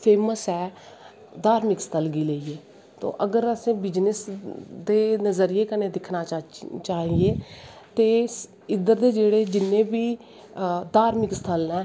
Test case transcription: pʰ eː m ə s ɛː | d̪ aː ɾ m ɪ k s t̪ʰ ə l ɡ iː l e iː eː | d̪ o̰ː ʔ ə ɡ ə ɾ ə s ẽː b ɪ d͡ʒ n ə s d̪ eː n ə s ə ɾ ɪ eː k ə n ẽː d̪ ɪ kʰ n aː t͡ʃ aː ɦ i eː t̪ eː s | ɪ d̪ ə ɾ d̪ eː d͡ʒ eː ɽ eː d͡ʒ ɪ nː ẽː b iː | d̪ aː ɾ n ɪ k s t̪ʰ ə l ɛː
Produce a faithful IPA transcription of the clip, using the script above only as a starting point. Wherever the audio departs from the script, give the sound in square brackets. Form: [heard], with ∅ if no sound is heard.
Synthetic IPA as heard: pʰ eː m ə s ɛː | d̪ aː ɾ m ɪ k s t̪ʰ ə l ɡ iː l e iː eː | [t̪] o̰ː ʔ ə ɡ ə ɾ ə s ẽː b ɪ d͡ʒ n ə s d̪ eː n ə [z] ə ɾ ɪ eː k ə n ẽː d̪ ɪ kʰ n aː t͡ʃ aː ɦ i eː t̪ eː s | ɪ d̪ ə ɾ d̪ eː d͡ʒ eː ɽ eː d͡ʒ ɪ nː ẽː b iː | d̪ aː ɾ [m] ɪ k s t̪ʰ ə l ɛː

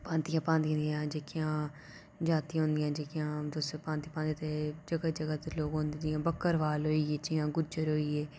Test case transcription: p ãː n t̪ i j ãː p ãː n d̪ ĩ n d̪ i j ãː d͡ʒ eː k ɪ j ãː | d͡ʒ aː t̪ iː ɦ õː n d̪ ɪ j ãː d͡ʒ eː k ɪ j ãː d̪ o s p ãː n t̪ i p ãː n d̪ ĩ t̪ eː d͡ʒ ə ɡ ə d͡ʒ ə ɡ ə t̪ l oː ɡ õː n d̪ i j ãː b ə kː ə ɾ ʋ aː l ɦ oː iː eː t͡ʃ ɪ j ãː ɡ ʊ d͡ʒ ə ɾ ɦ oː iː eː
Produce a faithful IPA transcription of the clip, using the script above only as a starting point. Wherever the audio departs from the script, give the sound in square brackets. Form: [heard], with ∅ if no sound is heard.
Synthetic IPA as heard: p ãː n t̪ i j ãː p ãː n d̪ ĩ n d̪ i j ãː d͡ʒ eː k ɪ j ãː | d͡ʒ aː t̪ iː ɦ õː n d̪ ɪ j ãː d͡ʒ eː k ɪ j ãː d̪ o s p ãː n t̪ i p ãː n d̪ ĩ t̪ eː d͡ʒ ə ɡ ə d͡ʒ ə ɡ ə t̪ l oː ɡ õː n d̪ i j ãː b ə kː ə ɾ ʋ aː l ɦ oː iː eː t͡ʃ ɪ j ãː ɡ ʊ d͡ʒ ə ɾ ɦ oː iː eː

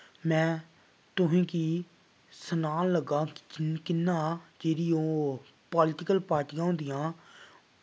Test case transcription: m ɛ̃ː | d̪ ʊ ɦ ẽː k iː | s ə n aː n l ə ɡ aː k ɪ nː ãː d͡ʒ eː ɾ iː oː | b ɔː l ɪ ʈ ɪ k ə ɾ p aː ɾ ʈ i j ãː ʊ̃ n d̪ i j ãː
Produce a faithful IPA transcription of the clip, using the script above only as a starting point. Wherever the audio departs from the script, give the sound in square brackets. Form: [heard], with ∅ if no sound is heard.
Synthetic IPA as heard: m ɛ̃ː | [t̪] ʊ ɦ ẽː k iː | s ə n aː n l ə ɡ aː k ɪ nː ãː d͡ʒ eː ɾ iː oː | [p] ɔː l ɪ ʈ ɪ k ə [l] p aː ɾ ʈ i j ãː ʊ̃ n d̪ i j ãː

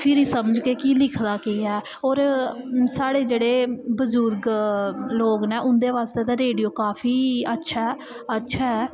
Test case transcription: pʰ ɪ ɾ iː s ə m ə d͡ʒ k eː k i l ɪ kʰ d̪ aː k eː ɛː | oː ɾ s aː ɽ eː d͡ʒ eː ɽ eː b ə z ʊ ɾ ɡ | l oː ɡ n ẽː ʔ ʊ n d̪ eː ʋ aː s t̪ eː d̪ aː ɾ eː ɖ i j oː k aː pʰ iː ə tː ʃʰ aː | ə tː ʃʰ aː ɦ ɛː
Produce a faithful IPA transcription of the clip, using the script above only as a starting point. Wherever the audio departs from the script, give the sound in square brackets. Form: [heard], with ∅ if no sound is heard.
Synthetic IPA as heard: pʰ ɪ ɾ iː s ə m ə d͡ʒ k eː k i l ɪ kʰ d̪ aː k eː ɛː | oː ɾ s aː ɽ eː d͡ʒ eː ɽ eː b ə z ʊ ɾ ɡ | l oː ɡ n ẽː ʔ ʊ n d̪ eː ʋ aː s t̪ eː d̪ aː ɾ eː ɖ i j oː k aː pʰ iː ə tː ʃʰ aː | ə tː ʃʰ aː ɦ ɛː

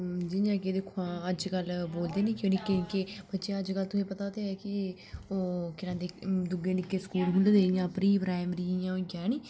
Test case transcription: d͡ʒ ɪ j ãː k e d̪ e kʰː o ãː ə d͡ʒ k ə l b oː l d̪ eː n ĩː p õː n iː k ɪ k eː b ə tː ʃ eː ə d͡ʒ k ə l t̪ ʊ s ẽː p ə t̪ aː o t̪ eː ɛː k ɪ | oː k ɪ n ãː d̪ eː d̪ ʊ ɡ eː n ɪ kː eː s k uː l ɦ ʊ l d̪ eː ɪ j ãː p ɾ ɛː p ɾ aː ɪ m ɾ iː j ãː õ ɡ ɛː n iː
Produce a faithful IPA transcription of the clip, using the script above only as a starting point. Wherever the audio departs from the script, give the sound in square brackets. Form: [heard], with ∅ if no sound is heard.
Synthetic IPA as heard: d͡ʒ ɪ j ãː k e d̪ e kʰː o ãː ə d͡ʒ k ə l b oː l d̪ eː n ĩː [k] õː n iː k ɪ k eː b ə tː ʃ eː ə d͡ʒ k ə l t̪ ʊ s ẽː p ə t̪ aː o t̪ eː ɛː k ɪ | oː k ɪ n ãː d̪ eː d̪ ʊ ɡ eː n ɪ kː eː s k uː l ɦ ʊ l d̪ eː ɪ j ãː p ɾ [iː] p ɾ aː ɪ m ɾ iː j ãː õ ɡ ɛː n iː

